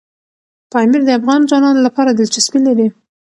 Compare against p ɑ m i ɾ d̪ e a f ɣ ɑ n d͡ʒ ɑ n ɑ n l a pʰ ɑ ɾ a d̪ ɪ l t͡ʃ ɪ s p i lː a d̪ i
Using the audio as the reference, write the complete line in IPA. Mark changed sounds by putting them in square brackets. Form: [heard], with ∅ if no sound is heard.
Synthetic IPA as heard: p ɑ m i ɾ d̪ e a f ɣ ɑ n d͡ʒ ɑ n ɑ n l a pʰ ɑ ɾ a d̪ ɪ l t͡ʃ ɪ s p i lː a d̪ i